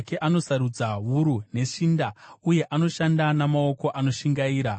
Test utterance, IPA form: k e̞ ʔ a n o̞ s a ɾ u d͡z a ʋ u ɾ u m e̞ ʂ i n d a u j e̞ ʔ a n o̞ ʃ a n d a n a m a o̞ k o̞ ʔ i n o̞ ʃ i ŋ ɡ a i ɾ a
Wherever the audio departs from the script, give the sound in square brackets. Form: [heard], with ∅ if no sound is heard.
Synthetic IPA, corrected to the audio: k e̞ ʔ a n o̞ s a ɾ u d͡z a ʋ u ɾ u [n] e̞ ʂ i n d a u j e̞ ʔ a n o̞ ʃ a n d a n a m a o̞ k o̞ ʔ [a] n o̞ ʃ i ŋ ɡ a [iː] ɾ a

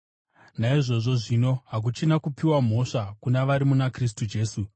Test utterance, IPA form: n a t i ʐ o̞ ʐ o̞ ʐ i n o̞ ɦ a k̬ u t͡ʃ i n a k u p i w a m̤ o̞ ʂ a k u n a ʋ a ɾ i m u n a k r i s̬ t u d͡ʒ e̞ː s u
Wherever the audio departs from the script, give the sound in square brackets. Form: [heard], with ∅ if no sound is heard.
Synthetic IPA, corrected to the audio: n a [∅] i ʐ o̞ ʐ o̞ ʐ i n o̞ ɦ a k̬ u t͡ʃ i n a k u p i w a m̤ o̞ ʂ a k u n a ʋ a ɾ i m u n a k r i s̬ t u d͡ʒ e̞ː s u

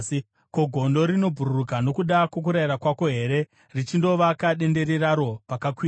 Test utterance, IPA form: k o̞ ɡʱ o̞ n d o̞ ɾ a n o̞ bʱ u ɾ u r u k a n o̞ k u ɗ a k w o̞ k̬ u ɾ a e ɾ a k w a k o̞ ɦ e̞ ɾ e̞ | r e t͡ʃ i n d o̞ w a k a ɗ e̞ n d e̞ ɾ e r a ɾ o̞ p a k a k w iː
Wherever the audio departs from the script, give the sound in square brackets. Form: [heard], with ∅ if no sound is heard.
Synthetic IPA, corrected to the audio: k o̞ ɡʱ o̞ n d o̞ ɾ [i] n o̞ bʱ u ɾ u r u k a n o̞ k u ɗ a k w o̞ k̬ u ɾ a [i] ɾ a k w a k o̞ ɦ e̞ ɾ e̞ | r [i] t͡ʃ i n d o̞ [ʋ] a k a ɗ e̞ n d e̞ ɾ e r a ɾ o̞ p a k a k w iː

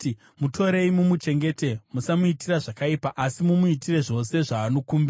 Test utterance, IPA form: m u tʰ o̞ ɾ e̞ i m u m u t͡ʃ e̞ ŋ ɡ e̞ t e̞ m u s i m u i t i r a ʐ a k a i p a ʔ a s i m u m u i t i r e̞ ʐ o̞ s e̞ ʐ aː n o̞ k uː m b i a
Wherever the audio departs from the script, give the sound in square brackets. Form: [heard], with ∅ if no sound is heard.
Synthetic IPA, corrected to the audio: m u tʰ o̞ ɾ e̞ i m u m u t͡ʃ e̞ ŋ ɡ e̞ t e̞ m u s [a] m u i t i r a ʐ a k a i p a ʔ a s i m u m u i t i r e̞ ʐ o̞ s e̞ ʐ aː n o̞ k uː m b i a

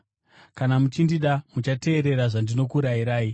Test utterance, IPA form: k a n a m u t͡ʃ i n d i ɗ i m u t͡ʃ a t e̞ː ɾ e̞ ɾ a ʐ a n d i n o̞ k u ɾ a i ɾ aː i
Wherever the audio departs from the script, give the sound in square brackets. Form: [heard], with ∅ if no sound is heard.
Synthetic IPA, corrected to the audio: k a n a m u t͡ʃ i n d i ɗ [a] m u t͡ʃ a t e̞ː ɾ e̞ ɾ a ʐ a n d i n o̞ k u ɾ a i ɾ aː i

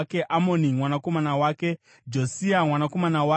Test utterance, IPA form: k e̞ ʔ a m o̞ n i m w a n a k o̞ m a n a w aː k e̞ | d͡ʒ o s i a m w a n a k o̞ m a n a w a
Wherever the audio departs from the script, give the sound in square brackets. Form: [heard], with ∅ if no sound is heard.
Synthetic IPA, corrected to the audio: k e̞ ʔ a m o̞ n i m w a n a k o̞ m a n a w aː k e̞ | d͡ʒ o s i a m w a n a k o̞ m a n a w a

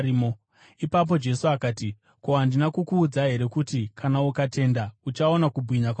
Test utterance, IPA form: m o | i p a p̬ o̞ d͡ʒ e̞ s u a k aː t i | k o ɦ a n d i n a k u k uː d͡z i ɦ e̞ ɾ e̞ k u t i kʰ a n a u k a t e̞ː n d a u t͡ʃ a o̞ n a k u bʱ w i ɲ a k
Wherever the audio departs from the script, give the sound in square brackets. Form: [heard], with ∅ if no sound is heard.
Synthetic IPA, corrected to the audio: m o | i p a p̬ o̞ d͡ʒ e̞ s u a k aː t i | k o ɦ a n d i n a k u k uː d͡z [a] ɦ e̞ ɾ e̞ k u t i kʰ a n a u k a t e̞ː n d a u t͡ʃ a o̞ n a k u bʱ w i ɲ a k

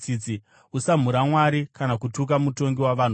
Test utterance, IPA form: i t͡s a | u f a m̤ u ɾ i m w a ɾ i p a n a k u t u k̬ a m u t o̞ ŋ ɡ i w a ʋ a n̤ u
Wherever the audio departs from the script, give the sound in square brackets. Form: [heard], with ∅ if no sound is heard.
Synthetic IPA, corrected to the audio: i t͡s [i] | u [s] a m̤ u ɾ [a] m w a ɾ i [k] a n a k u t u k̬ a m u t o̞ ŋ ɡ i w a ʋ a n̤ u

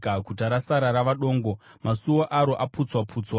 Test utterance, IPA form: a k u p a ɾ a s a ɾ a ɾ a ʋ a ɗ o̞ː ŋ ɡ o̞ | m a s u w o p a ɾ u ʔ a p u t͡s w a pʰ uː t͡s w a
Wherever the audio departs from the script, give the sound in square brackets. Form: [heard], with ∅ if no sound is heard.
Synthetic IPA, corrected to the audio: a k u [t] a ɾ a s a ɾ a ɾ a ʋ a ɗ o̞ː ŋ ɡ o̞ | m a s u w o [ʔ] a ɾ [o] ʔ a p u t͡s w a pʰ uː t͡s w a

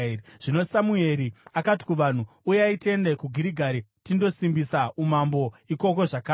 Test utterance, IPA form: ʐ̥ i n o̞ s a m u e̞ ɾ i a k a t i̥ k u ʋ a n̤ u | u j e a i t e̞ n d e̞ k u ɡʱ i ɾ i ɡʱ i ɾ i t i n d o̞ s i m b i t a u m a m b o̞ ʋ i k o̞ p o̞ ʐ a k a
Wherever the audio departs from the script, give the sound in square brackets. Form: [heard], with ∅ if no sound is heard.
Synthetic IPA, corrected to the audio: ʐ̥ i n o̞ s a m u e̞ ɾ i a k a t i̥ k u ʋ a n̤ u | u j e a i t e̞ n d e̞ k u ɡʱ i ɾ i ɡʱ [a] ɾ i t i n d o̞ s i m b i [s] a u m a m b o̞ [∅] i k o̞ [k] o̞ ʐ a k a

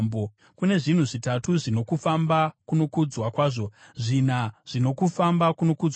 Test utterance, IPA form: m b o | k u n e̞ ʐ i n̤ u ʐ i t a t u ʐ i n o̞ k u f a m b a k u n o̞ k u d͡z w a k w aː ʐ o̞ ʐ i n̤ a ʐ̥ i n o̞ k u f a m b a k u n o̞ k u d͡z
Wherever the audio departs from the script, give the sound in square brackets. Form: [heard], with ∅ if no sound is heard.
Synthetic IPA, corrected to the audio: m b o | k u n e̞ ʐ i n̤ u ʐ i t a t u ʐ i n o̞ k u f a m b a k u n o̞ k u d͡z w a k w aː ʐ o̞ ʐ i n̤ a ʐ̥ i n o̞ k u f a m b a k u n o̞ k u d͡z

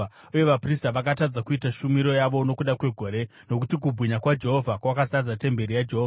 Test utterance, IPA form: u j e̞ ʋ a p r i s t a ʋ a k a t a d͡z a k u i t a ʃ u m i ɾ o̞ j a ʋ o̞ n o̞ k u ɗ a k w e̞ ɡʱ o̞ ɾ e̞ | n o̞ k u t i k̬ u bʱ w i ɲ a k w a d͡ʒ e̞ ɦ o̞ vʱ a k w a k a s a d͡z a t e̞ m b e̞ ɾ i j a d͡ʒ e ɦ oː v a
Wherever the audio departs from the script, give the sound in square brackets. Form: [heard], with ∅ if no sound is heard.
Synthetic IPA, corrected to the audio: u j e̞ ʋ a p r i s t a ʋ a k a t a d͡z a k u i t a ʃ u m i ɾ o̞ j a ʋ o̞ n o̞ k u ɗ a k w e̞ ɡʱ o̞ ɾ e̞ | n o̞ k u t i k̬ u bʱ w i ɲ a k w a d͡ʒ e̞ ɦ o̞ vʱ a k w a k a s a d͡z a t e̞ m b e̞ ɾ i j a d͡ʒ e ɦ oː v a

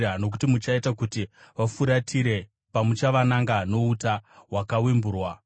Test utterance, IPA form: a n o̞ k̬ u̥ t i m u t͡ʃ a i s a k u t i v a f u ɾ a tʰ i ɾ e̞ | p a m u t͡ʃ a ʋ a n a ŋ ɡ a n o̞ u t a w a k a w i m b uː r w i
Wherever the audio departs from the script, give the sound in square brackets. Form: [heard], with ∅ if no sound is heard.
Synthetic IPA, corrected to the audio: a n o̞ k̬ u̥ t i m u t͡ʃ a i [t] a k u t i [ʋ] a f u ɾ a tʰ i ɾ e̞ | p a m u t͡ʃ a ʋ a n a ŋ ɡ a n o̞ u t a w a k a w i m b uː r w [a]

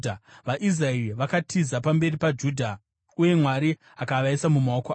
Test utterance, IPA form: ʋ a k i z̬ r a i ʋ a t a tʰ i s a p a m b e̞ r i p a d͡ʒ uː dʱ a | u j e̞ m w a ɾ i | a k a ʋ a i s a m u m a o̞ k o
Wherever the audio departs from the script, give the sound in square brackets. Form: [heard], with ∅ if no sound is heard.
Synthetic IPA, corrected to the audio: ʋ a [ʔ] i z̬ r a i ʋ a [k] a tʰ i [z] a p a m b e̞ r i p a d͡ʒ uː dʱ a | u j e̞ m w a ɾ i | a k a ʋ a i s a m u m a o̞ k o

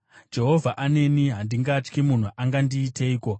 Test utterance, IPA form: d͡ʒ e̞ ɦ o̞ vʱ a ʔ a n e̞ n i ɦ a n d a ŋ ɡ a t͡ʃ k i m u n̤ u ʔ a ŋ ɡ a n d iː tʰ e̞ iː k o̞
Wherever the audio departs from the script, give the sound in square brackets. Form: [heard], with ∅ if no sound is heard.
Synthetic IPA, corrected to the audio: d͡ʒ e̞ ɦ o̞ vʱ a ʔ a n e̞ n i ɦ a n d [i] ŋ ɡ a t͡ʃ k i m u n̤ u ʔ a ŋ ɡ a n d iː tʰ e̞ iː k o̞

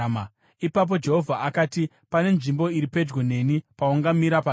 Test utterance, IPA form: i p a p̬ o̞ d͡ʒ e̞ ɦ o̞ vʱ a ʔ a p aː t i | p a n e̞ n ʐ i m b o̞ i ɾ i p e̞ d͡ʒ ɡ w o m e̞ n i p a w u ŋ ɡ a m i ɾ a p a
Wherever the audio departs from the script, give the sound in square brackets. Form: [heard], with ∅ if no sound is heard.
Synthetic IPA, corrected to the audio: i p a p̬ o̞ d͡ʒ e̞ ɦ o̞ vʱ a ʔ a [k] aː t i | p a n e̞ n ʐ i m b o̞ i ɾ i p e̞ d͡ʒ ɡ w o [n] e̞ n i p a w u ŋ ɡ a m i ɾ a p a

